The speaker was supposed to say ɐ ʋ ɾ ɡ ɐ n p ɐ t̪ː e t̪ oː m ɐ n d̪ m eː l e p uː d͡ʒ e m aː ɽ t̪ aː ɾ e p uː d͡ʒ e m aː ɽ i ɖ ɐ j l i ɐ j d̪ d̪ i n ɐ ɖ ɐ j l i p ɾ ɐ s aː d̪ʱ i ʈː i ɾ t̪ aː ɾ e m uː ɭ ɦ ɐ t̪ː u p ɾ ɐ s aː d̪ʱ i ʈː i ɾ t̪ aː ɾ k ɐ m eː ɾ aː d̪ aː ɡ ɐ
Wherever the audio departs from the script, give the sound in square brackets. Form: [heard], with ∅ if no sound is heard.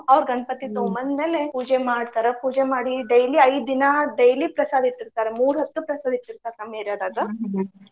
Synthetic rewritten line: ɐ ʋ ɾ ɡ ɐ n p ɐ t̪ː [i] t̪ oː m ɐ n d̪ m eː l e p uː d͡ʒ e m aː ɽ t̪ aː ɾ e p uː d͡ʒ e m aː ɽ i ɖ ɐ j l i ɐ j d̪ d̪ i n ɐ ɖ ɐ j l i p ɾ ɐ s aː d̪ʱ i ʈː i ɾ t̪ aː ɾ e m uː [ɾ] ɦ ɐ t̪ː u p ɾ ɐ s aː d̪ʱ i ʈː i ɾ t̪ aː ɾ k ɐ m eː ɾ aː d̪ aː ɡ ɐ